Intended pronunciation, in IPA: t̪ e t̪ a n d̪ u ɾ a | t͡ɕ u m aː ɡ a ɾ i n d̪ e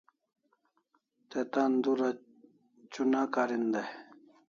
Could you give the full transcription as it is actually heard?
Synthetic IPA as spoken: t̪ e t̪ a n d̪ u ɾ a | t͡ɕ u n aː k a ɾ i n d̪ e